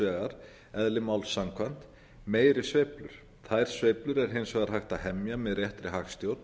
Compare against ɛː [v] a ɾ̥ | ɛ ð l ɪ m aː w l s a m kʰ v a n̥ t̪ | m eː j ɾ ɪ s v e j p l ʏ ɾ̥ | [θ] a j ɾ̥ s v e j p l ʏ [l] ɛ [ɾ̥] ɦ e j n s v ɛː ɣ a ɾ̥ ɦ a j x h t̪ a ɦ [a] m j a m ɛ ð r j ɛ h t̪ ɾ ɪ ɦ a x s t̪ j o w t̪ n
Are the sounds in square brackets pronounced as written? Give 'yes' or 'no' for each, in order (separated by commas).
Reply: no, yes, no, yes, no